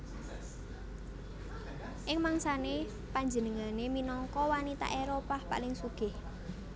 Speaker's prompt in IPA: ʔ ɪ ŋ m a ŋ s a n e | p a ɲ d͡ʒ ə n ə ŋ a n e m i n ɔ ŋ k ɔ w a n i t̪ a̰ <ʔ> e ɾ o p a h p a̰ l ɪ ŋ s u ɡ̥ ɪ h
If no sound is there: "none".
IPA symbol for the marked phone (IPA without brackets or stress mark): ʔ